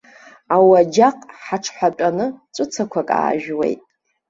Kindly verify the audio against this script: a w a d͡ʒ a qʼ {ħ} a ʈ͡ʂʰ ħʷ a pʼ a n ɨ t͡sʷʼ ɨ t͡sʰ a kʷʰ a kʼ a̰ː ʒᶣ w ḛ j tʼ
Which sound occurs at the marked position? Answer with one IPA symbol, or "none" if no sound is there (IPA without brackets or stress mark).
ħ